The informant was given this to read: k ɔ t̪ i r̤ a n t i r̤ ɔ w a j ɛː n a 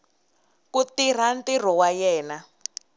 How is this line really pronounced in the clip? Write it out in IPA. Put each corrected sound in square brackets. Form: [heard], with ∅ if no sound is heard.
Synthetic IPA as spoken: k [u] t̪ i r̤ a n t i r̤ ɔ w a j ɛː n a